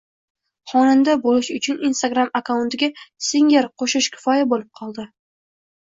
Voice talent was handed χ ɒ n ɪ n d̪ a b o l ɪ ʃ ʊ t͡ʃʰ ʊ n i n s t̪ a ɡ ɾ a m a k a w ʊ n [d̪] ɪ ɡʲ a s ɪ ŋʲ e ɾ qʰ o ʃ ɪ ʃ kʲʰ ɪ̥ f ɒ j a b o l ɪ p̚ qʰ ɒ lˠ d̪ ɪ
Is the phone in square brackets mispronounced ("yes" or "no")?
yes